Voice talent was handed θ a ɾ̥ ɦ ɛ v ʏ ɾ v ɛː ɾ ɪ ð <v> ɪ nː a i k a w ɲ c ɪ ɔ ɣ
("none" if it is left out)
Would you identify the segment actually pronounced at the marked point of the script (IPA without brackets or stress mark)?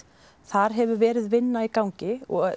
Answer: v